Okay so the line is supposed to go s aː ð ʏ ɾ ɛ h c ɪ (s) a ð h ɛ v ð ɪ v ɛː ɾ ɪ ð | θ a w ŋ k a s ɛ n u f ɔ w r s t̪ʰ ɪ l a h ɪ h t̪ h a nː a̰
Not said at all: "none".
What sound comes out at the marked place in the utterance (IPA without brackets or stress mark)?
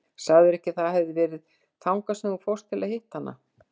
θ